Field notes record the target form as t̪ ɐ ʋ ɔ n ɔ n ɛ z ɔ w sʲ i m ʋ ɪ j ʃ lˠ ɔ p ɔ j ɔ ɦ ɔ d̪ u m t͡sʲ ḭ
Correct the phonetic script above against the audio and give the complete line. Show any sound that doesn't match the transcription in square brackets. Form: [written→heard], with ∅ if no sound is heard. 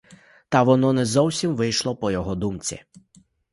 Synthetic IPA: t̪ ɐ ʋ ɔ n ɔ n ɛ z ɔ w sʲ i m ʋ ɪ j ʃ lˠ ɔ p ɔ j ɔ ɦ ɔ d̪ u m t͡sʲ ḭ